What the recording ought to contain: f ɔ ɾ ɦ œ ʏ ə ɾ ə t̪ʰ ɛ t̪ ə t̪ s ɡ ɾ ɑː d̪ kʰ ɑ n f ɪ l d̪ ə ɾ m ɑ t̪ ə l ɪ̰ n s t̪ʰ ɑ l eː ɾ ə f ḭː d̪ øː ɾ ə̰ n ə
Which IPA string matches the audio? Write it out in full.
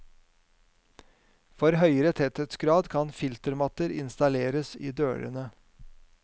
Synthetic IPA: f ɔ ɾ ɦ œ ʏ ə ɾ ə t̪ʰ ɛ t̪ ə t̪ s ɡ ɾ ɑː d̪ kʰ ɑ n f ɪ l t̪ ə ɾ m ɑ t̪ ə ɾ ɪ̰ n s t̪ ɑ l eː ɾ ə s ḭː d̪ øː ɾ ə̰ n ə